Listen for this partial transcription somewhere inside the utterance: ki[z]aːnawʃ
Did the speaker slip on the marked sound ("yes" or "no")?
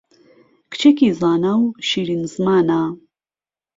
no